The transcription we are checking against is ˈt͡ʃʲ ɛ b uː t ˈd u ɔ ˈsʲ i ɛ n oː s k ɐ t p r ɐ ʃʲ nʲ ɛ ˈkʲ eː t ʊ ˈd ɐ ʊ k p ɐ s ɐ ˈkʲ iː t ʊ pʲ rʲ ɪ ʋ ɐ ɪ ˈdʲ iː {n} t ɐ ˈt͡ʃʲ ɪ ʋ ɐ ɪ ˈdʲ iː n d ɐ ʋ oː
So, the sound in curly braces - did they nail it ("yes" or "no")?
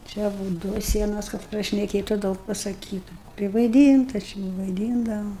yes